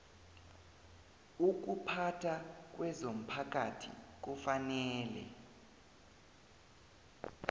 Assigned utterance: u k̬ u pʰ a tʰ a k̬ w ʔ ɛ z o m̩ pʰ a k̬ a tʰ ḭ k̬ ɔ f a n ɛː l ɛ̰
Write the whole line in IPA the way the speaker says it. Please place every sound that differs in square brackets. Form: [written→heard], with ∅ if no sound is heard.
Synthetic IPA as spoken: u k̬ u pʰ a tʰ a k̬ w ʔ ɛ z o m̩ pʰ a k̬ a tʰ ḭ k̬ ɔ f a n ɛː l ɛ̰